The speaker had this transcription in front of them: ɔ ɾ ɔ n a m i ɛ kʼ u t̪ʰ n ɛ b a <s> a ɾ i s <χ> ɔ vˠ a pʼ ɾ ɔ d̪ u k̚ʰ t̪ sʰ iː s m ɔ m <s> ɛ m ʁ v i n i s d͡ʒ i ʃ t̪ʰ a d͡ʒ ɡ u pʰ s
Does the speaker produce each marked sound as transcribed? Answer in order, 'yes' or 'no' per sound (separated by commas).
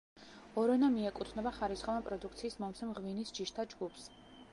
no, yes, yes